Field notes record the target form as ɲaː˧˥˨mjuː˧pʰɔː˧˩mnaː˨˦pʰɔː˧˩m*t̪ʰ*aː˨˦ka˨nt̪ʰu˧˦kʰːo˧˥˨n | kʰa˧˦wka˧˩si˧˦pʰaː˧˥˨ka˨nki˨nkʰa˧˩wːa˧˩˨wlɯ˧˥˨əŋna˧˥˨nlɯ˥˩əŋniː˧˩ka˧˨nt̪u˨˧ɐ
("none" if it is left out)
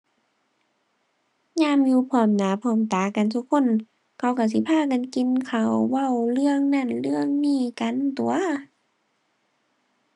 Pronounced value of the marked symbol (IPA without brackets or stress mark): t̪